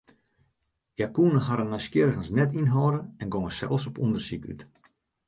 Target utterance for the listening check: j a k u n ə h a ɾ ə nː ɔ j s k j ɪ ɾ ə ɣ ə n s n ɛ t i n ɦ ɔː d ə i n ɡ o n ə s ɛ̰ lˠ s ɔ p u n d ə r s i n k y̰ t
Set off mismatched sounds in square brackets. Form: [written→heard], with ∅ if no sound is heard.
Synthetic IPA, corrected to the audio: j a k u n ə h a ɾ ə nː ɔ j s k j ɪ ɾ ə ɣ ə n s n ɛ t i n ɦ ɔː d ə [i→ɛ] n ɡ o [n→ŋ] ə s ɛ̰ lˠ s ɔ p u n d ə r s i [n→∅] k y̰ t

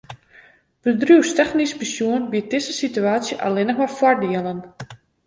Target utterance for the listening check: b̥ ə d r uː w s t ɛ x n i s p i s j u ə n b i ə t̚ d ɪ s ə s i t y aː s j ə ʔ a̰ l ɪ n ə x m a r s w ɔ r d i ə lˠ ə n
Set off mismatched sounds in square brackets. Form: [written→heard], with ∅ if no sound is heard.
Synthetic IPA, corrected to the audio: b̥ ə d r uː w s t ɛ x n i s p i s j u ə n b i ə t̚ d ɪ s ə s i t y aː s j ə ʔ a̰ l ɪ n ə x m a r [s→f] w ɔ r d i ə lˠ ə n

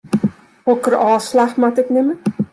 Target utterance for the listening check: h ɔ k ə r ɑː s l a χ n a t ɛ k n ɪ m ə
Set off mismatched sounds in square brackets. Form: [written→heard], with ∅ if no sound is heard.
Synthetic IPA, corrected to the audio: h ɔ k ə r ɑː s l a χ [n→m] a t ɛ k n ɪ m ə

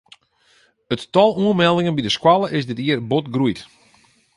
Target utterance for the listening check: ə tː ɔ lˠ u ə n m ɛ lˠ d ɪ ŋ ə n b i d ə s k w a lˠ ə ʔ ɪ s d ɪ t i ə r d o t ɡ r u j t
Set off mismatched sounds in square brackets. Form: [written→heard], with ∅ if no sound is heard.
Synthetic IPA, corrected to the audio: ə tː ɔ lˠ u ə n m ɛ lˠ d ɪ ŋ ə n b i d ə s k w a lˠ ə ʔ ɪ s d ɪ t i ə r [d→b] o t ɡ r u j t

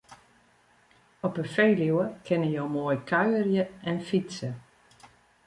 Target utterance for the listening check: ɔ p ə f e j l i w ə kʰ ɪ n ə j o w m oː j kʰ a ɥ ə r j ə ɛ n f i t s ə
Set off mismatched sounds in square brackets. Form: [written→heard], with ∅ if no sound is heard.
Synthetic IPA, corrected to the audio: ɔ p ə f e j l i w ə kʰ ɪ n ə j o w m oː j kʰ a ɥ ə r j ə ɛ n f i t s ə

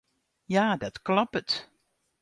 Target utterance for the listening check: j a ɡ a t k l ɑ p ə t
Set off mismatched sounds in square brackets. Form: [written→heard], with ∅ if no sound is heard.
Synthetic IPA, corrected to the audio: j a [ɡ→d] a t k l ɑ p ə t

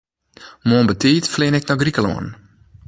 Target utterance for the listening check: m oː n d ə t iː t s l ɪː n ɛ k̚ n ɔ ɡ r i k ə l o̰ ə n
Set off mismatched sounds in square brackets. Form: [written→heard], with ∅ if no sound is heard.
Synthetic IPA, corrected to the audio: m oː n [d→b] ə t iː t [s→f] l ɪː n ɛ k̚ n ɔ ɡ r i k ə l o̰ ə n

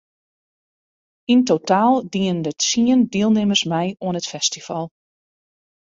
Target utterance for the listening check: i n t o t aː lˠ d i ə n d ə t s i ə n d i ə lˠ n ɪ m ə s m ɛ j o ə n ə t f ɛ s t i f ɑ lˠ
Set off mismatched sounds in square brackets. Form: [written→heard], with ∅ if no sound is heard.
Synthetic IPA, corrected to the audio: i n t o t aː lˠ d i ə n d ə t s i ə n d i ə lˠ n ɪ m ə s m ɛ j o ə n ə t f ɛ s t i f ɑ lˠ

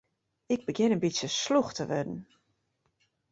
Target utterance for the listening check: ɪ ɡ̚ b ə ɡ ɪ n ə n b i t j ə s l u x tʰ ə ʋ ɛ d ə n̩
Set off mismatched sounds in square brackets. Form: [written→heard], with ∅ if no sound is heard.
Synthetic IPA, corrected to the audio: ɪ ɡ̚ b ə ɡ ɪ n ə n b i [t→s] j ə s l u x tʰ ə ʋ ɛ d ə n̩

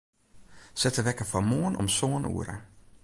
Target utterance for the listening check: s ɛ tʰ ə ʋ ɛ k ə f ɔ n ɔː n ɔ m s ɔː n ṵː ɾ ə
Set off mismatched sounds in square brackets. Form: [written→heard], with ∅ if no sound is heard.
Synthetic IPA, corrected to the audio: s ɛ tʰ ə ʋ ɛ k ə f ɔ [n→m] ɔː n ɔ m s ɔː n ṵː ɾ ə

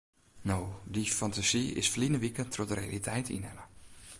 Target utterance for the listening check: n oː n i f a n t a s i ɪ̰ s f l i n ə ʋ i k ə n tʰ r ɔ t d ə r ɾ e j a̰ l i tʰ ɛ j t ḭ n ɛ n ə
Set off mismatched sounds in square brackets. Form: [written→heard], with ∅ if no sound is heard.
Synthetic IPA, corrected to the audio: n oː [n→d] i f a n t a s i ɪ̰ s f l i n ə ʋ i k ə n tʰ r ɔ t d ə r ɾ e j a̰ l i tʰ ɛ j t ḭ n ɛ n ə

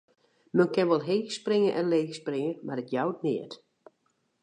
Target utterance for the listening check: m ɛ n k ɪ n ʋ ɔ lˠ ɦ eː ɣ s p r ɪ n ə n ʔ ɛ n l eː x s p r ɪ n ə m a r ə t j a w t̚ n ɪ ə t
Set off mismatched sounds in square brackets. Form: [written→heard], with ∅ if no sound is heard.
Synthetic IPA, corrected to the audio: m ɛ n k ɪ n ʋ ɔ lˠ ɦ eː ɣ s p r ɪ [n→ŋ] ə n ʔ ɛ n l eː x s p r ɪ [n→ŋ] ə m a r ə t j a w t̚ n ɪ ə t

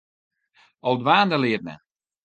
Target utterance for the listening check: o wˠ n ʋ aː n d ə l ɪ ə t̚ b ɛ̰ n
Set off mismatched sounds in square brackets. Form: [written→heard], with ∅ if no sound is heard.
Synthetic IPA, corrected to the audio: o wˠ [n→d] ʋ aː n d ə l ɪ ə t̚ [b→m] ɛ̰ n

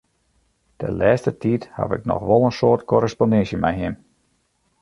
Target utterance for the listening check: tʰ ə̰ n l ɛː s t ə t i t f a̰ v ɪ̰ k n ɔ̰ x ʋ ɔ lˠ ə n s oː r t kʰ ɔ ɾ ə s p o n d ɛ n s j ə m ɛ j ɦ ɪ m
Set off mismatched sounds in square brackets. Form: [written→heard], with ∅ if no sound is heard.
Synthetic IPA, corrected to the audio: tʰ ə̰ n l ɛː s t ə t i t [f→h] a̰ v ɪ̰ k n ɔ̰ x ʋ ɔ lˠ ə n s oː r t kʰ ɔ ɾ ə s p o n d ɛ n s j ə m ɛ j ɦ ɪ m

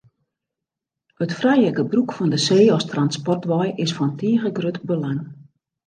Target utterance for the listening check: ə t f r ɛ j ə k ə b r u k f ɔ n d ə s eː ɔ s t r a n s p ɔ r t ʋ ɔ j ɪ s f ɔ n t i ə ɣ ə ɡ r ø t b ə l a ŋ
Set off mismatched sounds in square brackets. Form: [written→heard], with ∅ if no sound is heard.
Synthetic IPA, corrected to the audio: ə t f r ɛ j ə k ə b r u k f ɔ n d ə s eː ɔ s t r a n s p ɔ r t ʋ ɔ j ɪ s f ɔ n t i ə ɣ ə ɡ r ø t b ə l a ŋ

